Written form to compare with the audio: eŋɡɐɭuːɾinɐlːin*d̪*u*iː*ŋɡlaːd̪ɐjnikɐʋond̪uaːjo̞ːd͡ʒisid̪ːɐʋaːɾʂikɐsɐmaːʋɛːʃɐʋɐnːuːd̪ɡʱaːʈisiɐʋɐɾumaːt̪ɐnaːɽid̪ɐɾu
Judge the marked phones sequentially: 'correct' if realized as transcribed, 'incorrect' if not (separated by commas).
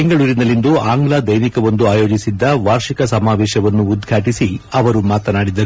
correct, incorrect